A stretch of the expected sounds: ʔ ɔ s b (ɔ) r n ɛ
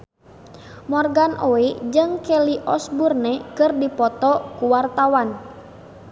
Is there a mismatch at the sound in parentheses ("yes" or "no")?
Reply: yes